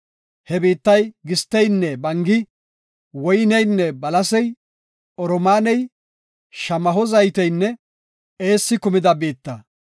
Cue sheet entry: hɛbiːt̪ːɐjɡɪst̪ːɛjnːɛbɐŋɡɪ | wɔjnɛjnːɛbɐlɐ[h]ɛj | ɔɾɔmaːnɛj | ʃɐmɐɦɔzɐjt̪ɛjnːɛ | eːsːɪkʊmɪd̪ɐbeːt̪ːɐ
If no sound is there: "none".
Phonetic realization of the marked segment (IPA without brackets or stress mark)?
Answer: s